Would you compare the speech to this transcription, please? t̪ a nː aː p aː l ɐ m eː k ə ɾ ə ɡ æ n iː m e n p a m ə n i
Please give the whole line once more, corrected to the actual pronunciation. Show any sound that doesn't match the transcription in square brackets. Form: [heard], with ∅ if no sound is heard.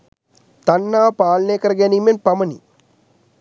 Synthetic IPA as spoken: t̪ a nː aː p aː l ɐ [n] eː k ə ɾ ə ɡ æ n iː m e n p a m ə n i